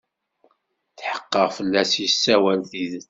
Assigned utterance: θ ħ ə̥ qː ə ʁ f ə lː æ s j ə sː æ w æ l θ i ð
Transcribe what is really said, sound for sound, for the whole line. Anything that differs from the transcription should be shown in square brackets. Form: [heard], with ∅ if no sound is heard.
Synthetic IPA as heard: θ ħ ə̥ qː ə ʁ f ə lː æ s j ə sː æ w æ l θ i ð